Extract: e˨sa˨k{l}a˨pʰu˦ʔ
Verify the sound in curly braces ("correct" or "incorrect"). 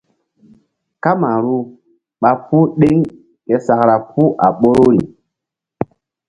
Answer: incorrect